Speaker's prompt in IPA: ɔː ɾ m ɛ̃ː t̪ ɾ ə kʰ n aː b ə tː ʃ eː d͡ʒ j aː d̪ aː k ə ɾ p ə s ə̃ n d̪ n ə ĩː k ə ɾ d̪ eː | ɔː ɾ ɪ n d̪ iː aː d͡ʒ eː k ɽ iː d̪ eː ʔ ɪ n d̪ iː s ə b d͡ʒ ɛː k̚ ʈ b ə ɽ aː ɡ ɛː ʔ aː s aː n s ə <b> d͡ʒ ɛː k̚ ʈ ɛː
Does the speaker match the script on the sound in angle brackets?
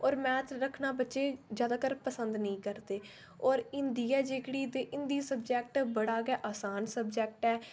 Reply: yes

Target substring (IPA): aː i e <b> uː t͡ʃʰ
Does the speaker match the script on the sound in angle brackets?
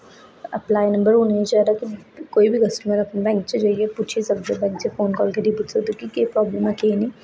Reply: no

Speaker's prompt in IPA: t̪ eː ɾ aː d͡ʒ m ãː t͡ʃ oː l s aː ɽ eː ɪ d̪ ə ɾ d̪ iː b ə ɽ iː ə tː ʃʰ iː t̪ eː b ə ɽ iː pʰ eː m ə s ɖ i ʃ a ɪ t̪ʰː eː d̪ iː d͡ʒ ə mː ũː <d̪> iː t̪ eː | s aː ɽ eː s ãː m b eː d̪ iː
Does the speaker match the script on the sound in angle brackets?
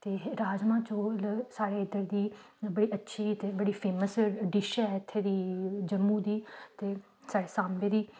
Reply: yes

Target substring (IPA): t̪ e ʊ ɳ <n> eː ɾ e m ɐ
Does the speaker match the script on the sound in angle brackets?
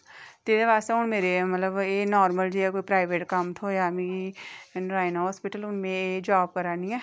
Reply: no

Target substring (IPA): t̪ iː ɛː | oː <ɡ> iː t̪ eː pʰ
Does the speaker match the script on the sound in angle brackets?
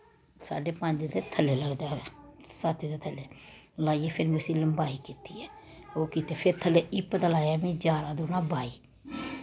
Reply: no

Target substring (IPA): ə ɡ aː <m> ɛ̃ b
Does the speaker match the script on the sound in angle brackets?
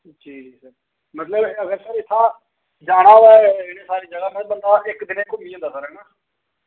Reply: yes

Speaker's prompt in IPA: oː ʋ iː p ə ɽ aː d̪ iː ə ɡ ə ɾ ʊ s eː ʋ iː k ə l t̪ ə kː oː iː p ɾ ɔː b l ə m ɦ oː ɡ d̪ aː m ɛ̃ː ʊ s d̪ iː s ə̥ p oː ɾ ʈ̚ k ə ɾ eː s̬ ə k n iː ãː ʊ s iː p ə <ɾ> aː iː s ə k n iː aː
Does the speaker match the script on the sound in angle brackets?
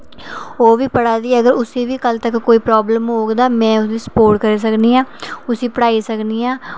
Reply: no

